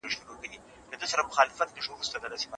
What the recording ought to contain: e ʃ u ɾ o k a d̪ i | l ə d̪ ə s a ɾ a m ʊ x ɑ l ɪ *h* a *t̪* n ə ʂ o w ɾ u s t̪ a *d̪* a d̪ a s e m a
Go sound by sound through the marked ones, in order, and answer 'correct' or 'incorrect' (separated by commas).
incorrect, correct, correct